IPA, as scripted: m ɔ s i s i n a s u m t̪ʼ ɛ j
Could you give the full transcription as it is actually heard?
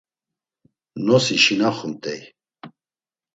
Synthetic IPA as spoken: n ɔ s i ʃ i n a χ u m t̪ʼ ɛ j